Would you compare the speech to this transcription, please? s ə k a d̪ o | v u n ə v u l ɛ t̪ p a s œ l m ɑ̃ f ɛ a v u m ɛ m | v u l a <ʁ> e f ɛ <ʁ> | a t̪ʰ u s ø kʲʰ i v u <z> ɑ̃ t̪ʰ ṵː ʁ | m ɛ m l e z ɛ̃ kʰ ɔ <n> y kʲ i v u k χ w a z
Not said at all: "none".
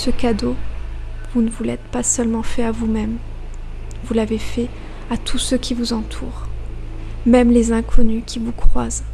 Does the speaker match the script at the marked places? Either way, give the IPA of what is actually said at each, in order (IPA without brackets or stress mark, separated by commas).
v, none, z, n